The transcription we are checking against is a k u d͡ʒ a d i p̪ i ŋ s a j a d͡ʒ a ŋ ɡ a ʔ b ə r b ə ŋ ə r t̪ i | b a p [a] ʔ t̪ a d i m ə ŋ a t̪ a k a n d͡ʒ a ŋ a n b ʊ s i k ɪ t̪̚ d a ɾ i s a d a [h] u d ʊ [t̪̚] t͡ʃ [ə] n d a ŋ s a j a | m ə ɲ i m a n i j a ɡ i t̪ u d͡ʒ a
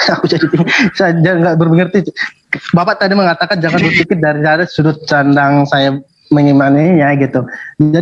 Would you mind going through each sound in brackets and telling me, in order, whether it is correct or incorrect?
correct, incorrect: s, correct, incorrect: a

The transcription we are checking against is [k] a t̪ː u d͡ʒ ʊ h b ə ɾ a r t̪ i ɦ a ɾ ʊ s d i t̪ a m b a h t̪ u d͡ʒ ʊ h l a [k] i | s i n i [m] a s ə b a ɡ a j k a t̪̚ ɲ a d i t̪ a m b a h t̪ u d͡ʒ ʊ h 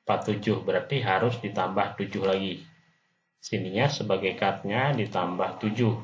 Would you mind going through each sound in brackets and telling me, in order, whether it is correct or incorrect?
incorrect: p, incorrect: ɡ, incorrect: ɲ

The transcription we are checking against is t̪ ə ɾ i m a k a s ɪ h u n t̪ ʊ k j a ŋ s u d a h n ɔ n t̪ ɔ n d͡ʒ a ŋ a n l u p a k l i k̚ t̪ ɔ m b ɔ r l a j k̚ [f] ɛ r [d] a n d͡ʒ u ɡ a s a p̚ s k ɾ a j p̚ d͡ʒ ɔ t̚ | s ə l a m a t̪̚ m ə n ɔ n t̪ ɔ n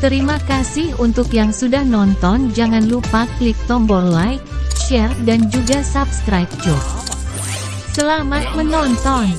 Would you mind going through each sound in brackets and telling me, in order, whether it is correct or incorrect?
incorrect: ʃ, correct

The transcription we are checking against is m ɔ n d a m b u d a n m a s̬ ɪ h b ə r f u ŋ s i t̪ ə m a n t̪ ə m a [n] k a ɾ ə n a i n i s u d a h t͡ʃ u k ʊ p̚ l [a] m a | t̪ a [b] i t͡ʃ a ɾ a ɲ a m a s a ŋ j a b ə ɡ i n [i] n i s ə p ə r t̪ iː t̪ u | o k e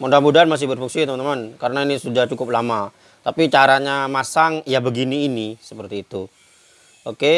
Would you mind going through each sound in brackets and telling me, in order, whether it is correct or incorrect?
correct, correct, incorrect: p, incorrect: iː

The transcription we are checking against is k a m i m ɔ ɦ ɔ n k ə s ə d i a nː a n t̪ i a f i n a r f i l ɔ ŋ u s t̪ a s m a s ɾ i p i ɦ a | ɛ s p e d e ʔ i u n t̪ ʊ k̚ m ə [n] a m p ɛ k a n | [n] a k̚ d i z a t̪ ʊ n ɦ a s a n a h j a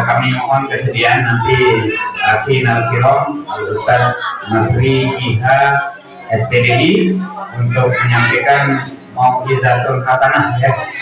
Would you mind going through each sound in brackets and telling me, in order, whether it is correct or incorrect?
incorrect: ɲ, incorrect: m

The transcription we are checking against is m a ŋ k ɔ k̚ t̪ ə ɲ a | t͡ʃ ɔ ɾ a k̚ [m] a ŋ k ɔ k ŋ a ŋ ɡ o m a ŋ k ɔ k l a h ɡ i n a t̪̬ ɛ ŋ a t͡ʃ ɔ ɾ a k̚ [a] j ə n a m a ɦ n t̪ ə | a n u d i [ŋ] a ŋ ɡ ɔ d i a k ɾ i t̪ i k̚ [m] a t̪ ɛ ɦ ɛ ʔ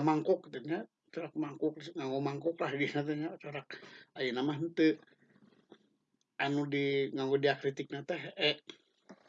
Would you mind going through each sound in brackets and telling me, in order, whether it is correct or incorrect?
correct, correct, correct, incorrect: n

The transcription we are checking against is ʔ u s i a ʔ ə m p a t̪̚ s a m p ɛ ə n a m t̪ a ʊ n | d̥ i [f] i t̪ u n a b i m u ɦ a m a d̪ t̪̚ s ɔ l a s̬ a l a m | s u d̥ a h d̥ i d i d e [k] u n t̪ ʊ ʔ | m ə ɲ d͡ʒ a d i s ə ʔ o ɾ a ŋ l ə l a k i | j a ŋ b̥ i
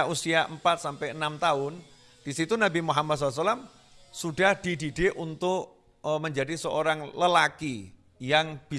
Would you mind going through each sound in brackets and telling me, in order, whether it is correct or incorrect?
incorrect: s, incorrect: ʔ

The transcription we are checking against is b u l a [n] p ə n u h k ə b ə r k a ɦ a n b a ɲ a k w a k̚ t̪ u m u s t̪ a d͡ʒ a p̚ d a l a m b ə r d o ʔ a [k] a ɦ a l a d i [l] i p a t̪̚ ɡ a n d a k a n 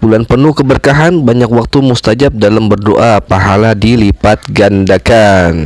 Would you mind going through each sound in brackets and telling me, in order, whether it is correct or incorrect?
correct, incorrect: p, correct

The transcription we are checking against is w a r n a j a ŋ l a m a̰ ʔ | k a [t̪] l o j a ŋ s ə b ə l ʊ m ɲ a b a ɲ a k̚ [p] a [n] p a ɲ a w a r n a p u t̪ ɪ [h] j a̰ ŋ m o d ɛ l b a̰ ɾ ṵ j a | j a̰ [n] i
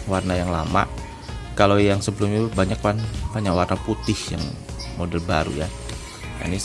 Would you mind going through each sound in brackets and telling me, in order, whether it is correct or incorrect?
incorrect: none, correct, correct, correct, correct

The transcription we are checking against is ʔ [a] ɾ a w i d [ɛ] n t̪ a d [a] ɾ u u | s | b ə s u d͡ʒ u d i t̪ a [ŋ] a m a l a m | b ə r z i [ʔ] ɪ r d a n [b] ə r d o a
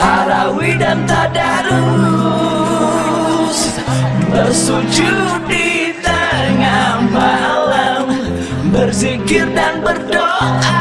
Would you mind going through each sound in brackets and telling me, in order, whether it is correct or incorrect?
correct, incorrect: a, correct, correct, incorrect: k, correct

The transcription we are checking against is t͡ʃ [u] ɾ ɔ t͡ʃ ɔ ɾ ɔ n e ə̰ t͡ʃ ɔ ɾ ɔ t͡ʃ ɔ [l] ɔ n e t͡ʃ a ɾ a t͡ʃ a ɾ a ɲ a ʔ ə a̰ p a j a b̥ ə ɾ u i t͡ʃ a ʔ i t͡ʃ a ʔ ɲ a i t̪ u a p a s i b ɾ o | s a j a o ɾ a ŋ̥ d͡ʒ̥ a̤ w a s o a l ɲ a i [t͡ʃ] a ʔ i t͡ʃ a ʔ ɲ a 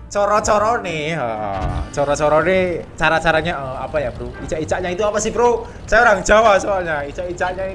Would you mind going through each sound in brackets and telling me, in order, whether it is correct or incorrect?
incorrect: ɔ, incorrect: ɾ, correct

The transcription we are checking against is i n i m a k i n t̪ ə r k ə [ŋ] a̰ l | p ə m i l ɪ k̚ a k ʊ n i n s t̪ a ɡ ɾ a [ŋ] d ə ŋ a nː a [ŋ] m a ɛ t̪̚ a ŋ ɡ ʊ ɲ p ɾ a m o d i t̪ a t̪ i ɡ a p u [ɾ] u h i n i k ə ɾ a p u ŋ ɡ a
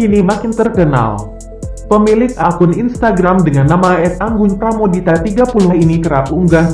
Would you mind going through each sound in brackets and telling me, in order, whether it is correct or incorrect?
incorrect: n, incorrect: m, incorrect: none, incorrect: l

